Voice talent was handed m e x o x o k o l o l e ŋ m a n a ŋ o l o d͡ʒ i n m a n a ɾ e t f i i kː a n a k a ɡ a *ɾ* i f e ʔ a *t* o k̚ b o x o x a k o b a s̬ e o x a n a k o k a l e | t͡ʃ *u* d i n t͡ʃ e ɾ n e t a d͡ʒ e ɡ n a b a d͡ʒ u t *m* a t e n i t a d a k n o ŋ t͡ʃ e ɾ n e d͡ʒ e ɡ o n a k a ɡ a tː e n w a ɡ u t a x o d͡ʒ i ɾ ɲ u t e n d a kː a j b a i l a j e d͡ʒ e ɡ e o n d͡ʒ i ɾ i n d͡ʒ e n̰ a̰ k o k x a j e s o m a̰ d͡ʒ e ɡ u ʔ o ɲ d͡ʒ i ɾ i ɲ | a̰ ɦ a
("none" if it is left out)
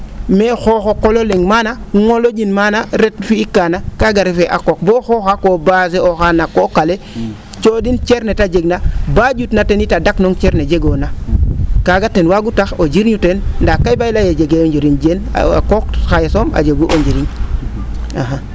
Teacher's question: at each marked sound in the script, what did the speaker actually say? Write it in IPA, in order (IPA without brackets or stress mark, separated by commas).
ɾ, k, o, n